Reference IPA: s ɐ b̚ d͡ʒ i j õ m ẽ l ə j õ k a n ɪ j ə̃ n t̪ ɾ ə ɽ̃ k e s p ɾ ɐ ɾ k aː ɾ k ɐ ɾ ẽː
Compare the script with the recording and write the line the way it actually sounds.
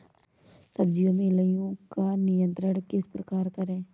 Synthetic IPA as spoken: s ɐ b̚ d͡ʒ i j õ m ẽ l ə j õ k a n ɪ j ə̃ n t̪ ɾ ə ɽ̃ k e s p ɾ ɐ k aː ɾ k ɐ ɾ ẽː